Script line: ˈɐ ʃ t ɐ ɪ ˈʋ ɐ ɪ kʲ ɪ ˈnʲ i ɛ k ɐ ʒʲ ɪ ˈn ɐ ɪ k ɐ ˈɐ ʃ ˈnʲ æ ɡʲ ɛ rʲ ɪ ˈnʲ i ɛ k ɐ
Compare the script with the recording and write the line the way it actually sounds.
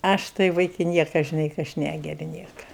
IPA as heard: ˈɐ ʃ t ɐ ɪ ˈʋ ɐ ɪ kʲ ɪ ˈnʲ i ɛ k ɐ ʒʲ ɪ ˈn ɐ ɪ k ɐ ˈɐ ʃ ˈnʲ æ ɡʲ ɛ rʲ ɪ ˈnʲ i ɛ k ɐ